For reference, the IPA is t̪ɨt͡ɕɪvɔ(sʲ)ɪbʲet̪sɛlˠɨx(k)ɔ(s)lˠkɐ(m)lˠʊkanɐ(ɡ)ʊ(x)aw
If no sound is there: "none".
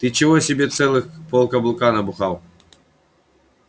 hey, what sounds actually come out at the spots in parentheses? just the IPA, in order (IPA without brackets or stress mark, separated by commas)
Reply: sʲ, p, none, b, b, x